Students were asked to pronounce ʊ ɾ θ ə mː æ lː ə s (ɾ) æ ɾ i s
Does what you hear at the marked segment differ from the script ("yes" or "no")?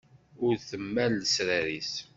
no